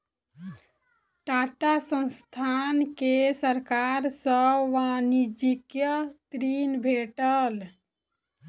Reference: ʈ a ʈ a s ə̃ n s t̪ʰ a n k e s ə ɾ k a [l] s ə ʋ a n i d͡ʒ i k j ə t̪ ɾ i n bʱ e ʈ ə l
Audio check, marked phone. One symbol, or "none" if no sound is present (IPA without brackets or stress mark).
ɾ